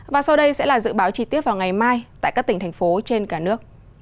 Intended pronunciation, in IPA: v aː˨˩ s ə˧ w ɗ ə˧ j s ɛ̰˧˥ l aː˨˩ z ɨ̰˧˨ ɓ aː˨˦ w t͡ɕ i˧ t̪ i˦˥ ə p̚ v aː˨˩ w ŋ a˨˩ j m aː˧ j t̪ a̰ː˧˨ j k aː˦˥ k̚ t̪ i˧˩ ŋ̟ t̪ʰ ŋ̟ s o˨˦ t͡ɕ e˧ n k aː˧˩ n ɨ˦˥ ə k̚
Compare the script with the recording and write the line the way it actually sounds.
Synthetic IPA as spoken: v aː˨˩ s a˧ w ɗ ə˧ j s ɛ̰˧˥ l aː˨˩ z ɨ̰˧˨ ɓ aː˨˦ w t͡ɕ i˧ t̪ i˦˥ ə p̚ v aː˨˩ w ŋ a˨˩ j m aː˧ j t̪ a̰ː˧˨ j k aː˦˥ k̚ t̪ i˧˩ ŋ̟ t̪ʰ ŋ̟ f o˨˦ t͡ɕ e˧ n k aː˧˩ n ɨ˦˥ ə k̚